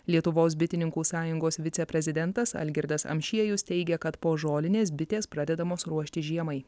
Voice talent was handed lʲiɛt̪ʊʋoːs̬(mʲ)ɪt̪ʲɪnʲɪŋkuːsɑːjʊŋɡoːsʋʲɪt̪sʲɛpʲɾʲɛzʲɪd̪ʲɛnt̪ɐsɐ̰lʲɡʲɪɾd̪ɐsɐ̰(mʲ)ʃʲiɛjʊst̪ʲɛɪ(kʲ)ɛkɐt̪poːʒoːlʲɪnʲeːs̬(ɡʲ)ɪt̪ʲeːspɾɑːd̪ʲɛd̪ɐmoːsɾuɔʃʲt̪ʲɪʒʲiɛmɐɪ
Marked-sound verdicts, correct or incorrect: incorrect, correct, incorrect, incorrect

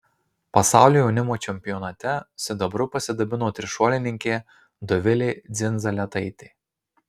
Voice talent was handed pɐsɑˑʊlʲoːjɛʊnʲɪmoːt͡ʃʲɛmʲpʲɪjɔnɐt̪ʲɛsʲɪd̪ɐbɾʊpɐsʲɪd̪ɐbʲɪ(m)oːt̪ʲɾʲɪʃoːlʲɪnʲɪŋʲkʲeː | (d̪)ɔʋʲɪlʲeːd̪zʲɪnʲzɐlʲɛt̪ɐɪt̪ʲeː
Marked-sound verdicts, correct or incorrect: incorrect, correct

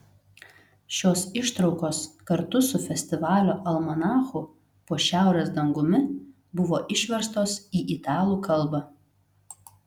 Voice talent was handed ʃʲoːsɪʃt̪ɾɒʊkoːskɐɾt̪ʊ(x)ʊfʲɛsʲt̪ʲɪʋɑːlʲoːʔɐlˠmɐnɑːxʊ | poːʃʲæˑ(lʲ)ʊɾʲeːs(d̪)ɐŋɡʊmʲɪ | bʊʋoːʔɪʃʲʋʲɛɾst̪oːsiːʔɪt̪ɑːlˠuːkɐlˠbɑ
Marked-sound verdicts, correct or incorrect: incorrect, incorrect, correct

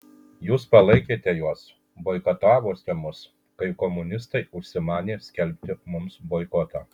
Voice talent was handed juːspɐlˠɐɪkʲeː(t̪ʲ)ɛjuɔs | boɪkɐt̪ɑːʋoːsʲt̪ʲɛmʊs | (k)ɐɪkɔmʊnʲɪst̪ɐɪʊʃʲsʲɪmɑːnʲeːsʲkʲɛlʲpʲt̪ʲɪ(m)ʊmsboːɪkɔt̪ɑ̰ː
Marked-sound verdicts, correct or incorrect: correct, correct, correct

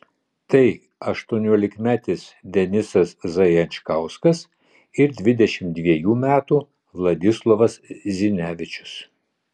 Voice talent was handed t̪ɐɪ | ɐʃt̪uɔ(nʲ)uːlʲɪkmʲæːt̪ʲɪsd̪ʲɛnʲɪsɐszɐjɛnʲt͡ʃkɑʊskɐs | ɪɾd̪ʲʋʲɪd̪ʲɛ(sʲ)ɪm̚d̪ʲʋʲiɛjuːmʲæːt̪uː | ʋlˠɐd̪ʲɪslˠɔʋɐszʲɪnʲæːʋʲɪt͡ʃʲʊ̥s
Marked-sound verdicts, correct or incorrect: correct, incorrect

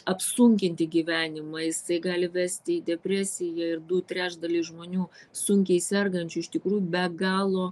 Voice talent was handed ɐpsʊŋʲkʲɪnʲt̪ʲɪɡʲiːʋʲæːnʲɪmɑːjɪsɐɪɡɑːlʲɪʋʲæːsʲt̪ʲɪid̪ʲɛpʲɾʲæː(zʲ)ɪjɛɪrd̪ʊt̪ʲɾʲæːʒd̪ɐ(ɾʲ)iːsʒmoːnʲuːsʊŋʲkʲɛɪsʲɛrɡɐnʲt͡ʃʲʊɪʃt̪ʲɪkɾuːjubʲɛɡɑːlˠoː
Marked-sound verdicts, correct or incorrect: incorrect, incorrect

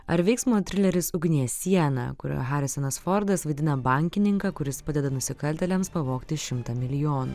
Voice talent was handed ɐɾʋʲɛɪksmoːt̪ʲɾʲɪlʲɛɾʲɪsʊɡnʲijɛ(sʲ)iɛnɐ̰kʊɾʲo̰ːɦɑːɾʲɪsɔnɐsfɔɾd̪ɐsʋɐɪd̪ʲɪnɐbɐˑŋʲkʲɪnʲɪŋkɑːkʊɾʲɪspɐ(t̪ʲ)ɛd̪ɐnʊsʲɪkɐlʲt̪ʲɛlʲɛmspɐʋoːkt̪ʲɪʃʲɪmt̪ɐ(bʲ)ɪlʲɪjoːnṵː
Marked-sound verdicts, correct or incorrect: correct, incorrect, incorrect

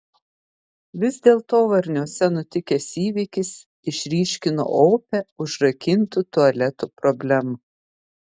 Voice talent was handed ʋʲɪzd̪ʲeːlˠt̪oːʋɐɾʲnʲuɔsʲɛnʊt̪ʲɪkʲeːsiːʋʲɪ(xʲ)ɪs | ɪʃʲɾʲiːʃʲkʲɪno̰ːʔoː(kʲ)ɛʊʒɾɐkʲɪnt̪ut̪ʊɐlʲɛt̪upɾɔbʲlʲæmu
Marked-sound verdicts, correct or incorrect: incorrect, incorrect

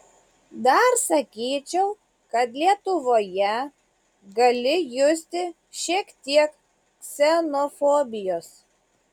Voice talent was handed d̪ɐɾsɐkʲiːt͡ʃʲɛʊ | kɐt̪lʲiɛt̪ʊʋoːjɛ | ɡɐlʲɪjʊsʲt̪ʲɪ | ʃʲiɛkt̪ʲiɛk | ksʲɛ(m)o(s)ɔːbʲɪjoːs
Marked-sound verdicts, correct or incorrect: incorrect, incorrect

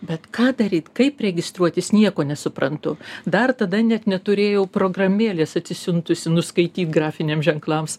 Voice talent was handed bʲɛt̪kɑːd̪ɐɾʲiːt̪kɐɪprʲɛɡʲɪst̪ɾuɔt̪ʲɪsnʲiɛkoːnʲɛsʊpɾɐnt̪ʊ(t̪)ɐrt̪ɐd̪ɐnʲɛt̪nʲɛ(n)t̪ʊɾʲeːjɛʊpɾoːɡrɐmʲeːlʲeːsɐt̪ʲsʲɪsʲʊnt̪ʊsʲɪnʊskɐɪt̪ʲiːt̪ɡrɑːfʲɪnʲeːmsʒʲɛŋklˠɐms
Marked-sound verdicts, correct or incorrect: incorrect, incorrect

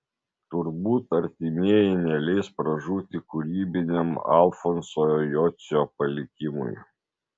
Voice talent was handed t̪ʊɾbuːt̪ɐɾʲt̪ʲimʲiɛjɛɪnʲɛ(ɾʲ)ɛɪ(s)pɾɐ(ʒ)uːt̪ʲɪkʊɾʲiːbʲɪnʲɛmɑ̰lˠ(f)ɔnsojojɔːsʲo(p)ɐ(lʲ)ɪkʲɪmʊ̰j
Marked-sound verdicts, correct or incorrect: incorrect, correct, correct, correct, correct, correct

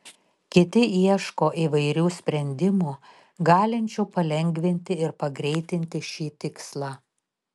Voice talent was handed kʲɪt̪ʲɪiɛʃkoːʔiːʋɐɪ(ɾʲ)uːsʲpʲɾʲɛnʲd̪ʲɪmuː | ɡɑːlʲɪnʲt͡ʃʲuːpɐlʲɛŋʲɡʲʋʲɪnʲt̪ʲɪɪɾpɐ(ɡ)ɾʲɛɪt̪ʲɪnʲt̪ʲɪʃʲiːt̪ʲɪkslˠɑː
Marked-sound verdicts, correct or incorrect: correct, correct

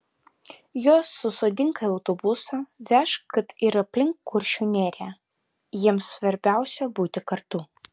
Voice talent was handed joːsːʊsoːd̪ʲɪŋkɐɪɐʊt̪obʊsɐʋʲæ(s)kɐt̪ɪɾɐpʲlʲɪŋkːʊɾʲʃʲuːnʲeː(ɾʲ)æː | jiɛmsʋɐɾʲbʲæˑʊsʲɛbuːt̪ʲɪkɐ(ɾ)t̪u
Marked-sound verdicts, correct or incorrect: incorrect, correct, correct

